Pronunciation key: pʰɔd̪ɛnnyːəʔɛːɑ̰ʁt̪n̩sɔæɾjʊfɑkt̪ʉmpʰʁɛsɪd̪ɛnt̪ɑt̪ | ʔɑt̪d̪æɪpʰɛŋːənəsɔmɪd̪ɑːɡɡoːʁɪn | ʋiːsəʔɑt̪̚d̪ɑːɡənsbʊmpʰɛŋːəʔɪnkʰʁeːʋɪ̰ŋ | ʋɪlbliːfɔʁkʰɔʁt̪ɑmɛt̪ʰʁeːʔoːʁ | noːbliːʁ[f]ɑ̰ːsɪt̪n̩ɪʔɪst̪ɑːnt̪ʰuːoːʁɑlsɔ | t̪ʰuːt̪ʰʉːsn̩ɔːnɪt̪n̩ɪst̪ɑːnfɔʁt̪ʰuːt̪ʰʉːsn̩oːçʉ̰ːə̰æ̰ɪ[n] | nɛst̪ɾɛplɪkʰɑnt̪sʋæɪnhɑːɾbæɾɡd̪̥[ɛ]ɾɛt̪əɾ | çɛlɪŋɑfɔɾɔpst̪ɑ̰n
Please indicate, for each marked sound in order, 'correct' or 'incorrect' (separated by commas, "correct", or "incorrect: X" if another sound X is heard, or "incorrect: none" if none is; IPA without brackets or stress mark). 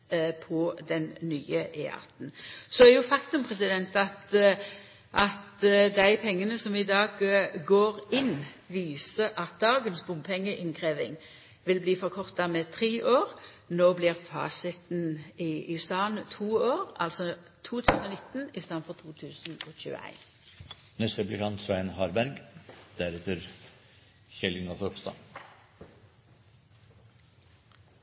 correct, correct, incorrect: æ